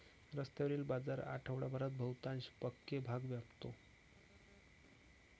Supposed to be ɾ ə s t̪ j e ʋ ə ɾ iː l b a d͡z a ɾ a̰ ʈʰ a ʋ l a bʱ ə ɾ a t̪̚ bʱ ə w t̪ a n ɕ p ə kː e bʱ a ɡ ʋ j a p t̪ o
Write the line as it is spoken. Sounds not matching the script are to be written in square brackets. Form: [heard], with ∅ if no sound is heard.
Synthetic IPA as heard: ɾ ə s t̪ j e ʋ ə ɾ iː l b a d͡z a ɾ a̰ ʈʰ [ə] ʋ [ɽ] a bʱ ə ɾ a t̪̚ bʱ ə w t̪ a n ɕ p ə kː e bʱ a ɡ ʋ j a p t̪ o